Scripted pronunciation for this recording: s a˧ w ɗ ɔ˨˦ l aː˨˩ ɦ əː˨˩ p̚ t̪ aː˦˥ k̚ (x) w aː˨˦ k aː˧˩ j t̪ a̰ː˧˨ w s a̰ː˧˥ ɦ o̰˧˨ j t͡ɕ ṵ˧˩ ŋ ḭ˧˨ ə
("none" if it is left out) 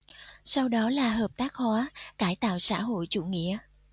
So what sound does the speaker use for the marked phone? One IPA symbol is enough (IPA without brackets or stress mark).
h